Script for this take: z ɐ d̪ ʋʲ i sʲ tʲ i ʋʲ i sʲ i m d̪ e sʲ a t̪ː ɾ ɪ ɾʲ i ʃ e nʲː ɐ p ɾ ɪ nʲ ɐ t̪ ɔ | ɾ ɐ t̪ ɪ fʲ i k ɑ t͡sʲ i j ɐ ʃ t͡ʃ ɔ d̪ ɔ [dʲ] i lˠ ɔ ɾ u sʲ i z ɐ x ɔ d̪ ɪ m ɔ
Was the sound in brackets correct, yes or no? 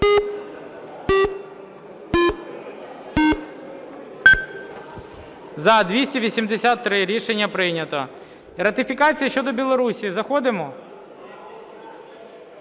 no